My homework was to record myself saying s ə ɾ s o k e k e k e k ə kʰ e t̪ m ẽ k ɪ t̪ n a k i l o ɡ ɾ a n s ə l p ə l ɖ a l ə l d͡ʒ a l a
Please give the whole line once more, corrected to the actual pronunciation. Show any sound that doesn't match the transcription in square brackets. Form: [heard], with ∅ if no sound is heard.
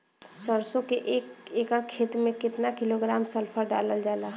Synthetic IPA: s ə ɾ s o k e [ʔ] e k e k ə kʰ e t̪ m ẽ k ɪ t̪ n a k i l o ɡ ɾ a [m] s ə l [pʰ] ə [ɾ] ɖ a l ə l d͡ʒ a l a

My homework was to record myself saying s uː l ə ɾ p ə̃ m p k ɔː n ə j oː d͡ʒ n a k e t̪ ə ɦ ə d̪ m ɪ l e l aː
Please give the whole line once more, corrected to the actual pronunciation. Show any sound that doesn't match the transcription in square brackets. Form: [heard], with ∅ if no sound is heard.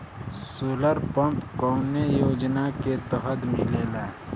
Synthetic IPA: s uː l ə ɾ p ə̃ m p k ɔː n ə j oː d͡ʒ n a k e t̪ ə ɦ ə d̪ m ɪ l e l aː

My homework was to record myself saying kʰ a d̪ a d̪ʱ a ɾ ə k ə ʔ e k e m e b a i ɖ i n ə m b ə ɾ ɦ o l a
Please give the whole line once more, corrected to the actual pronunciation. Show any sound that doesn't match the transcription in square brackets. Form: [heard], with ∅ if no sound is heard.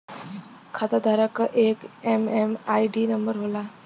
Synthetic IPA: kʰ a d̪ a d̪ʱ a ɾ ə k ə ʔ e k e m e [m] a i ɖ i n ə m b ə ɾ ɦ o l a

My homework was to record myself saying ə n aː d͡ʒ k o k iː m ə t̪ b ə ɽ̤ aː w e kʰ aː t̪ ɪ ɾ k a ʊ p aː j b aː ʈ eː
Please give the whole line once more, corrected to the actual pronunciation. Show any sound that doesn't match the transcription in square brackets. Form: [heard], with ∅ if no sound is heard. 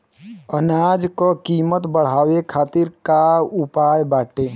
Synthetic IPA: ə n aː d͡ʒ k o k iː m ə t̪ b ə ɽ̤ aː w e kʰ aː t̪ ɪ ɾ k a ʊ p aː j b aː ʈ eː

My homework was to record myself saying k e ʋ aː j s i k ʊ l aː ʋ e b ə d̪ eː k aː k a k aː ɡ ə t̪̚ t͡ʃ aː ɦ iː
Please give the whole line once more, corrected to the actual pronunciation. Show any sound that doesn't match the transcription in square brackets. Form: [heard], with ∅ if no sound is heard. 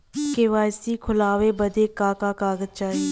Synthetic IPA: k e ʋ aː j s i [kʰ] ʊ l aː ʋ e b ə d̪ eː k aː k a k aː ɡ ə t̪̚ t͡ʃ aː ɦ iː

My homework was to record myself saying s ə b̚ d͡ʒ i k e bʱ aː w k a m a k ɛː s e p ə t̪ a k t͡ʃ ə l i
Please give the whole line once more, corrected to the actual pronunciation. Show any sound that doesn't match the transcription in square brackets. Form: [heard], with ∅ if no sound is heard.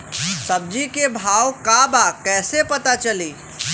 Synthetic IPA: s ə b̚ d͡ʒ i k e bʱ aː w k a [b] a k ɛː s e p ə t̪ a [∅] t͡ʃ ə l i

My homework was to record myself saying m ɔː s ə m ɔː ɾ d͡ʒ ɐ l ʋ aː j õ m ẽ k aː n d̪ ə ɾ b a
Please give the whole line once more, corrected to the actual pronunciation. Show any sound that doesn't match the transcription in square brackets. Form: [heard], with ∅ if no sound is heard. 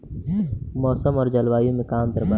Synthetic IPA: m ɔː s ə m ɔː ɾ d͡ʒ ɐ l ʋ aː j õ m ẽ k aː [m] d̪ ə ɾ b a

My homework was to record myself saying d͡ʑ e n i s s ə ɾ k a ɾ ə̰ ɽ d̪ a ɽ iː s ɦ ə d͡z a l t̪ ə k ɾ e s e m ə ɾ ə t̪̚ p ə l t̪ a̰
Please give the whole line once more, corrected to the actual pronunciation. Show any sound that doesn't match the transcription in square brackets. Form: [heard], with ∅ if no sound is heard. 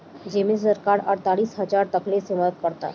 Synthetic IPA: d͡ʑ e [m] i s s ə ɾ k a ɾ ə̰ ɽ [t̪] a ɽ iː s ɦ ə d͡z a [ɾ] t̪ ə k [l] e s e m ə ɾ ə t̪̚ p ə [ɽ] t̪ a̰

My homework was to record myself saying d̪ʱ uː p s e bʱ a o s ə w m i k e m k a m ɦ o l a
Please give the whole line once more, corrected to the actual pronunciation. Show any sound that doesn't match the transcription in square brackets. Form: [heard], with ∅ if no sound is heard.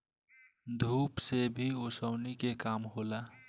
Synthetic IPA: d̪ʱ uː p s e bʱ [i] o s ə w [n] i k e [∅] k a m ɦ o l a

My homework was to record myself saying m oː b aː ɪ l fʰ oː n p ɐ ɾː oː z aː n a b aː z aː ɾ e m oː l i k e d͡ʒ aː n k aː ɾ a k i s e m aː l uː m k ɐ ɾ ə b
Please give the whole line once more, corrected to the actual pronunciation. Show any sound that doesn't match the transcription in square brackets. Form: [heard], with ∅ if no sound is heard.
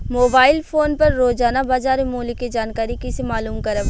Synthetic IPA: m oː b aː ɪ l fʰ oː n p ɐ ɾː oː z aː n a b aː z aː ɾ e m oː l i k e d͡ʒ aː n k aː ɾ [i] k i s e m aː l uː m k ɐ ɾ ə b

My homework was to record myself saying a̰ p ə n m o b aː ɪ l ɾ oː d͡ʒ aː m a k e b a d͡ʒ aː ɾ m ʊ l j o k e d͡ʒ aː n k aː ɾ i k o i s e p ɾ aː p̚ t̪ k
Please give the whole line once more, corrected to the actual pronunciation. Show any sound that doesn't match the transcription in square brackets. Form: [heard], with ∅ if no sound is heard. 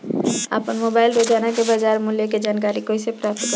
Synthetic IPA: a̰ p ə n m o b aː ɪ l ɾ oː d͡ʒ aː [n] a k e b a d͡ʒ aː ɾ m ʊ l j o k e d͡ʒ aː n k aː ɾ i k o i s e p ɾ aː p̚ t̪ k

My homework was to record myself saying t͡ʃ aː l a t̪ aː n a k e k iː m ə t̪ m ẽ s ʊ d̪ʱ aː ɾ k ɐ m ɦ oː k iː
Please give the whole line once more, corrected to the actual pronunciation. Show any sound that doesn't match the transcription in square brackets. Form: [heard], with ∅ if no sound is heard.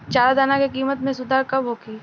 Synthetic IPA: t͡ʃ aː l a [d̪] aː n a k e k iː m ə t̪ m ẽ s ʊ d̪ʱ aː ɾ k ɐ [b] ɦ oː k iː

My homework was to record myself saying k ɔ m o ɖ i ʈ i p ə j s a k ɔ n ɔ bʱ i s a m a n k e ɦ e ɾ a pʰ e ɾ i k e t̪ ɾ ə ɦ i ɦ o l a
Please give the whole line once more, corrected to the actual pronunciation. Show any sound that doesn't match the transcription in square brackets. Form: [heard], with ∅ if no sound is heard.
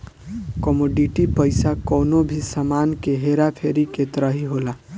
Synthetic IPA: k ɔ m o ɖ i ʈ i p ə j s a k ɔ n [o] bʱ i s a m a n k e ɦ e ɾ a pʰ e ɾ i k e t̪ ɾ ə ɦ i ɦ o l a

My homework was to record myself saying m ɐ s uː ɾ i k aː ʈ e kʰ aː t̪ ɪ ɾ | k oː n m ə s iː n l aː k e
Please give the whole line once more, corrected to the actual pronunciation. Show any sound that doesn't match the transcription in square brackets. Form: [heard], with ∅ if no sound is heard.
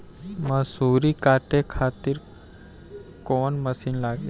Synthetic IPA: m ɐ s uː ɾ i k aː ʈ e kʰ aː t̪ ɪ ɾ | k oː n m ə s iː n l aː [ɡ] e

